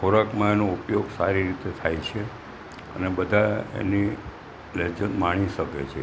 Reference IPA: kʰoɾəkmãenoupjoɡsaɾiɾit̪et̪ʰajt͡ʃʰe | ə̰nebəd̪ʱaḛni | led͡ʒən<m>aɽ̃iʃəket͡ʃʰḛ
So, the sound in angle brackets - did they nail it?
yes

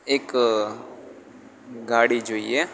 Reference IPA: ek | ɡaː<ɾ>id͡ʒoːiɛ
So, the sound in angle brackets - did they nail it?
no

